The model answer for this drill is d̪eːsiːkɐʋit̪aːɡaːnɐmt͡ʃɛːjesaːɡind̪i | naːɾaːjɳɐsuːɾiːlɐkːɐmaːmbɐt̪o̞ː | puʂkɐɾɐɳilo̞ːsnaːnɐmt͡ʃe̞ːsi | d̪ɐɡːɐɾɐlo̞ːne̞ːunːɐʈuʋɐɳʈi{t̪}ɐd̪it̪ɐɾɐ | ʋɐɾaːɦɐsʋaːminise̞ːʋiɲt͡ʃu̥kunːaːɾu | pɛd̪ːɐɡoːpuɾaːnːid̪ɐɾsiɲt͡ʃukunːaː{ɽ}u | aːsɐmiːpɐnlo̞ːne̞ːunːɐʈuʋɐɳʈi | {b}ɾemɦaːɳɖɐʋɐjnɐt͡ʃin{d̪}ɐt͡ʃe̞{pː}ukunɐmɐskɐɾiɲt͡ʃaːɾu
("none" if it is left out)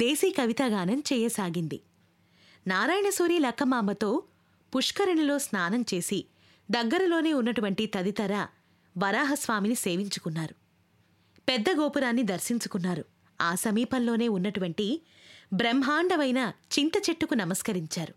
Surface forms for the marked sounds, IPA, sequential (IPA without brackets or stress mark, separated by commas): t̪, ɾ, b, t̪, ʈː